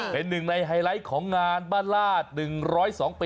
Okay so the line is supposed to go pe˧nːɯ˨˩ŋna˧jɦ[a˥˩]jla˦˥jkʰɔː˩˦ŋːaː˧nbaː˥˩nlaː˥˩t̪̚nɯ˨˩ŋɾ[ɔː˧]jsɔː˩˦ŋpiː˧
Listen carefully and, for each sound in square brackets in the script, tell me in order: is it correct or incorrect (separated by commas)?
incorrect, incorrect